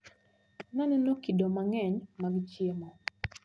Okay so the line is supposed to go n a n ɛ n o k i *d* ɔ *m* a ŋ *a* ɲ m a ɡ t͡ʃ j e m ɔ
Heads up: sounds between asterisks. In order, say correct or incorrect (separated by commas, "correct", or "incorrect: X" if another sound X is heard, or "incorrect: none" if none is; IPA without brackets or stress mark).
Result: correct, correct, incorrect: ɛ